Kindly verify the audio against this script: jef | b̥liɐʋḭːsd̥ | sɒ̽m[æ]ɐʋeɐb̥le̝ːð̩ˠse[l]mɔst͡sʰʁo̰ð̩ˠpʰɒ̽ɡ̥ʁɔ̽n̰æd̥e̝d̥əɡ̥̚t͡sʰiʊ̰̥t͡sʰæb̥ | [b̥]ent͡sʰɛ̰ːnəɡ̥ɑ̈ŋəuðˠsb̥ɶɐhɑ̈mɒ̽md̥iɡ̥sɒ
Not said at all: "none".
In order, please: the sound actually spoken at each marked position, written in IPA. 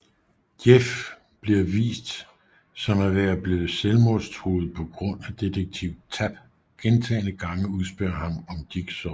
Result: æ, l, ɡ̥

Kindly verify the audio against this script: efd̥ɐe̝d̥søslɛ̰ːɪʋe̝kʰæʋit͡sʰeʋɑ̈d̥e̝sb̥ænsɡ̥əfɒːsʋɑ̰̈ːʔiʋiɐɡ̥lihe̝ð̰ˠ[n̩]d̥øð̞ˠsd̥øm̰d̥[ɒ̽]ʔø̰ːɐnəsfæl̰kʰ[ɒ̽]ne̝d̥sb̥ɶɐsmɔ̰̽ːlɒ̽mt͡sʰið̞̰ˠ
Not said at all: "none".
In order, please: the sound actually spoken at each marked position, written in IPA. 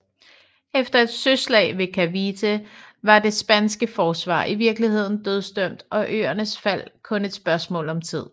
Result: n̩, ɒ̽, ɔ̽

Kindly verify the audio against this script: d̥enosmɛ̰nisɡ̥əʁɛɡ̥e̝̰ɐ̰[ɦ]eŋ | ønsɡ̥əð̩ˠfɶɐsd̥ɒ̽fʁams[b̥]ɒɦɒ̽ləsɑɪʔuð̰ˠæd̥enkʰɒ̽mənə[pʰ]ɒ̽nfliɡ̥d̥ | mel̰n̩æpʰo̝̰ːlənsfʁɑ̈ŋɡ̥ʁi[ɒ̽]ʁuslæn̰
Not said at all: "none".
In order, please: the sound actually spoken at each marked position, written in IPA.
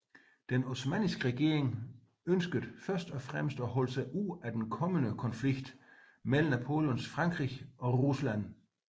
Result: none, d̥, kʰ, ɒ̽

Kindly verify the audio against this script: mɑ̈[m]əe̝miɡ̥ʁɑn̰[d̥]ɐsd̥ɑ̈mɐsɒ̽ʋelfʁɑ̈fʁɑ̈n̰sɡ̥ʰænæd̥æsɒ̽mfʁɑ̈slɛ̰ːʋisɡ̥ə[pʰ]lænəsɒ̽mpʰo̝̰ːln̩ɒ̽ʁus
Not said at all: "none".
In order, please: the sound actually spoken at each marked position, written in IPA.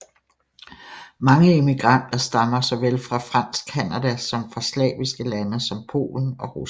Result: ŋ, d̥, none

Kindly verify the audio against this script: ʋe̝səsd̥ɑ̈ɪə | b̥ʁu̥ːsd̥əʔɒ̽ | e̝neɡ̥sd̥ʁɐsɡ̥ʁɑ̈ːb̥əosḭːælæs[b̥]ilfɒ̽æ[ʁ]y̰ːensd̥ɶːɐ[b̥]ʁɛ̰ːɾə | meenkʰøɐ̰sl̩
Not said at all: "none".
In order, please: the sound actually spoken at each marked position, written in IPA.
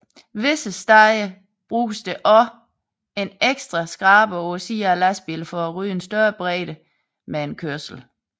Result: b̥, ʁ, b̥

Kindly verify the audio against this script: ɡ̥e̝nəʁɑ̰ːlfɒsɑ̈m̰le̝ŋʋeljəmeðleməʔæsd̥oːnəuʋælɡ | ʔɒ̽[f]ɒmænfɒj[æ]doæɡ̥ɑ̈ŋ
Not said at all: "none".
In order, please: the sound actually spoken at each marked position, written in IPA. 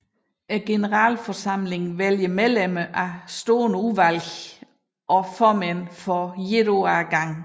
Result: f, e

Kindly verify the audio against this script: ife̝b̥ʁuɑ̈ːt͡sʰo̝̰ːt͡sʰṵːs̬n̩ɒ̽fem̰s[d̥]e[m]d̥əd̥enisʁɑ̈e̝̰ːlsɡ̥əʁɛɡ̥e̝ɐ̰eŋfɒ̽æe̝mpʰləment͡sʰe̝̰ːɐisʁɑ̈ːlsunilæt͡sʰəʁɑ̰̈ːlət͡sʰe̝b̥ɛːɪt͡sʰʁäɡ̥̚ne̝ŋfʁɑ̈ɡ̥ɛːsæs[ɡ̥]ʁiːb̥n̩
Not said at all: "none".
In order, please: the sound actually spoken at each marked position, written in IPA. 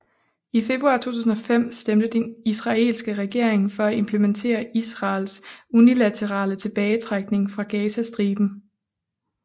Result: d̥, m, d̥

